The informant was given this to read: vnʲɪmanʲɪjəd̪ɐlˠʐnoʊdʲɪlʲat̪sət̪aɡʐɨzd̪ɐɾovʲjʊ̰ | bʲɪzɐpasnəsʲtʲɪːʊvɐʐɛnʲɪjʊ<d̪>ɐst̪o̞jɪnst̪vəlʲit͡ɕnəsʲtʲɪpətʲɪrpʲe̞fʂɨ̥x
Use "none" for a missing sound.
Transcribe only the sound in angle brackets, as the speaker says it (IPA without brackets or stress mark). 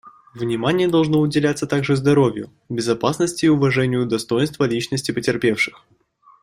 d̪